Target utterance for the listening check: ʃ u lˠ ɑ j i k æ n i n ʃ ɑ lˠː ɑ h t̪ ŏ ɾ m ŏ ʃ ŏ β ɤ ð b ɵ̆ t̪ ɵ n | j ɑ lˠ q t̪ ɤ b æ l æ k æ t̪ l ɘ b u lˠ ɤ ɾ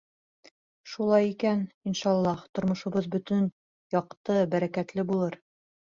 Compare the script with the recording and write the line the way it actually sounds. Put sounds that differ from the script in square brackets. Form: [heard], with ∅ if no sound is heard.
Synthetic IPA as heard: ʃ u lˠ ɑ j i k æ n i n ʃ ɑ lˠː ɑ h t̪ ŏ ɾ m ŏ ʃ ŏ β ɤ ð b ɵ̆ t̪ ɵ n | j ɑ [∅] q t̪ ɤ b æ [ɾ] æ k æ t̪ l ɘ b u lˠ ɤ ɾ